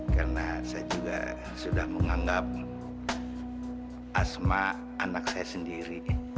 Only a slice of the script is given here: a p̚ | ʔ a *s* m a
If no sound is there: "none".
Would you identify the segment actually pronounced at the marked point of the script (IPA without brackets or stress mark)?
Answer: s